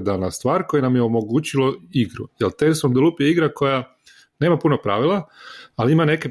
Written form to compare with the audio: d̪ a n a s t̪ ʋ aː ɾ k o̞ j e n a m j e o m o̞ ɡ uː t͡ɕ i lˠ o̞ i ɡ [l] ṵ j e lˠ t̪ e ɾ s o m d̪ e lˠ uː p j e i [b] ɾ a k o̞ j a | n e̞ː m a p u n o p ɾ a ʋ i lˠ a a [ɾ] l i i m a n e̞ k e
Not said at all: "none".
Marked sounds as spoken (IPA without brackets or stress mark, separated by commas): ɾ, ɡ, none